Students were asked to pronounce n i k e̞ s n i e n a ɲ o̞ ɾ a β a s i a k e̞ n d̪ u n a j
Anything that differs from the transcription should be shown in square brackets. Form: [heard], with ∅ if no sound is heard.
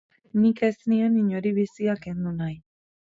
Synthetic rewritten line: n i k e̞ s n i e n [i] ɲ o̞ ɾ [i] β [i] s i a k e̞ n d̪ u n a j